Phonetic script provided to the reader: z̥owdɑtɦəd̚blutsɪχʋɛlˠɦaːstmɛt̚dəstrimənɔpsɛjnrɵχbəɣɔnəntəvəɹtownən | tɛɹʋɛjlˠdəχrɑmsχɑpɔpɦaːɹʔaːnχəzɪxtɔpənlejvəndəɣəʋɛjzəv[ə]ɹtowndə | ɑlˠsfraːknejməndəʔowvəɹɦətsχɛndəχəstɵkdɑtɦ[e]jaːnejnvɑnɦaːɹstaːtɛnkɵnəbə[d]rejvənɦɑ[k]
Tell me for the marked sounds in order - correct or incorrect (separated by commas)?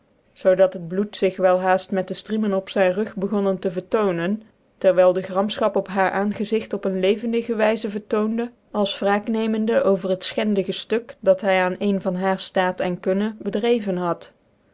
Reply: correct, incorrect, correct, incorrect